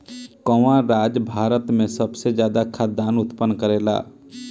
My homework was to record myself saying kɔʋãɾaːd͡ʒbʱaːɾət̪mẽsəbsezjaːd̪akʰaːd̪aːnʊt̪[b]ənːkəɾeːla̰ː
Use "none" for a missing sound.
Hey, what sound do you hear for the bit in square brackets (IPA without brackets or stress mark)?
p